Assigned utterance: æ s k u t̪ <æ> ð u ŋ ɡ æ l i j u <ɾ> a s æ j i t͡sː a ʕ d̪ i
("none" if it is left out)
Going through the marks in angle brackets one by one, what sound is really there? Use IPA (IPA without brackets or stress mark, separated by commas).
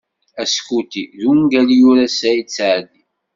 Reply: i, ɾ